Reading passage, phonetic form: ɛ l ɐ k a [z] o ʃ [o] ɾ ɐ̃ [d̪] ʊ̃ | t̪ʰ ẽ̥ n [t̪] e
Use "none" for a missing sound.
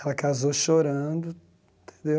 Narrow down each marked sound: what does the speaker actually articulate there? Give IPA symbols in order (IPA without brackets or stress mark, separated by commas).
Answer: z, o, d̪, d̪